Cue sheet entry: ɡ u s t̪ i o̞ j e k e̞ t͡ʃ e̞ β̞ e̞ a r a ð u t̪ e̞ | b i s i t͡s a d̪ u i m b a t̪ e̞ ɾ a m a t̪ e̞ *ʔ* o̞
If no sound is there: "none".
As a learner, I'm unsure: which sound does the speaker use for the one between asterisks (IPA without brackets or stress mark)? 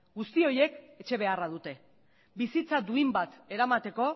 k